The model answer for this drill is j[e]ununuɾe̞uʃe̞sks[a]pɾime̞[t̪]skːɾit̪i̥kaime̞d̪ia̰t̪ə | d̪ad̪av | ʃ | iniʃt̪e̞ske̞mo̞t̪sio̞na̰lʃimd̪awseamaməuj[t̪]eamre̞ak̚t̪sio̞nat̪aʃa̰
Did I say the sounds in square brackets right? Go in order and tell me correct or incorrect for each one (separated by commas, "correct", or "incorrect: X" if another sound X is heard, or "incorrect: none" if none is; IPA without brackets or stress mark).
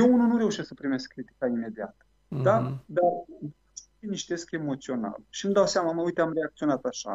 correct, incorrect: ə, incorrect: none, correct